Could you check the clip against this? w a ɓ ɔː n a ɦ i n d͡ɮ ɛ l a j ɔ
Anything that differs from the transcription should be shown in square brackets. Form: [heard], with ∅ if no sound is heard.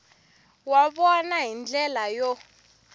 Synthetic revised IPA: w a ɓ [ɔ] n a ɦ i n d͡ɮ ɛ l a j ɔ